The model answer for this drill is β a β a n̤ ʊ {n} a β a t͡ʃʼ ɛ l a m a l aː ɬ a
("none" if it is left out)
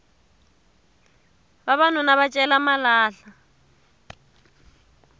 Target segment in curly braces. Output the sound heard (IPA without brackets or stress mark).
n